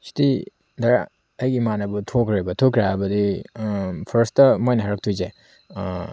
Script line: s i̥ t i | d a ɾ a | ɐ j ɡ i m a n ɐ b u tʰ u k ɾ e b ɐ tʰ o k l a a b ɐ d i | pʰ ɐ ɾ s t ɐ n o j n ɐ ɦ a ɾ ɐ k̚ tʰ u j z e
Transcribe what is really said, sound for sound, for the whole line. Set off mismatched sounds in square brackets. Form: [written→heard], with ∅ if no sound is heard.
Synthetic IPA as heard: s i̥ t i | d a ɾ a | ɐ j ɡ i m a n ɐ b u tʰ [u→o] k ɾ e b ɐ tʰ o k [l→ɾ] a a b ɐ d i | pʰ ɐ ɾ s t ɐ [n→m] o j n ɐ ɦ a ɾ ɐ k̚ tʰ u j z e